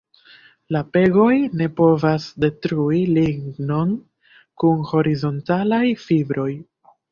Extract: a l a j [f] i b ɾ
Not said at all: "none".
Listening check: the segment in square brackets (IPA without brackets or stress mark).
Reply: f